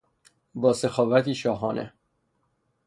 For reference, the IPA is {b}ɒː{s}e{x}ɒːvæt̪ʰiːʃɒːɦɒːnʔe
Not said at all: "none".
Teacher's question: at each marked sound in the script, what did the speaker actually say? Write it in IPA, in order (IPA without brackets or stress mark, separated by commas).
b, s, x